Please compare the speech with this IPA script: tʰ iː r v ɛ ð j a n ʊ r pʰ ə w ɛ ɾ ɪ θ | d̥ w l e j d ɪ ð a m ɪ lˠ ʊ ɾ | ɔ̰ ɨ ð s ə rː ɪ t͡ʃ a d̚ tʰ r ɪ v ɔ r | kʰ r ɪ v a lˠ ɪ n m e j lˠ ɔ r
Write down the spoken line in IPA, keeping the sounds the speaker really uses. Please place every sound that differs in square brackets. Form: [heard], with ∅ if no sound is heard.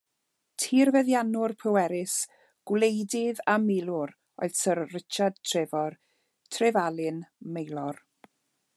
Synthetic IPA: tʰ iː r v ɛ ð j a n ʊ r pʰ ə w ɛ ɾ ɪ [s] | [ɡ̥] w l e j d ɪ ð a m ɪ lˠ ʊ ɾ | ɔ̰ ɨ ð s ə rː ɪ t͡ʃ a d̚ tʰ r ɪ v ɔ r | [tʰ] r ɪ v a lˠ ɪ n m e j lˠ ɔ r